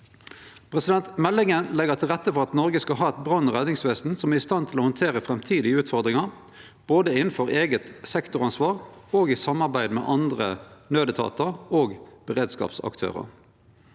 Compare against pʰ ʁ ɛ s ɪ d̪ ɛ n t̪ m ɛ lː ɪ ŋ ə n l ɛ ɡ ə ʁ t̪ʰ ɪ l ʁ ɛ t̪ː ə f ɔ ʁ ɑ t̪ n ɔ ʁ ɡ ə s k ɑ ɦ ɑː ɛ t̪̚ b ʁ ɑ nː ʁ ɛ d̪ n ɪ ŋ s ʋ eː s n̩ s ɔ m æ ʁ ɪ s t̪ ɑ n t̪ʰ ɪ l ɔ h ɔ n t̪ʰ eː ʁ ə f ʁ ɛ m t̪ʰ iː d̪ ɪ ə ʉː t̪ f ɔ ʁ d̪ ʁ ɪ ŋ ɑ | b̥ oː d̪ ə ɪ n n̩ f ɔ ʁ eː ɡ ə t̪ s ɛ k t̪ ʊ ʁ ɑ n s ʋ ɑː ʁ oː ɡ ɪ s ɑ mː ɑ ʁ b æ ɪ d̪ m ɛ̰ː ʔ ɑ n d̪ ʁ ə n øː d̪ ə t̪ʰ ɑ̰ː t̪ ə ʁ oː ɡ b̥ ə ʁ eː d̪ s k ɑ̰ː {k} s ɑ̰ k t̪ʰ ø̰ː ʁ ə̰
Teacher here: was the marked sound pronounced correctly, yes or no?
no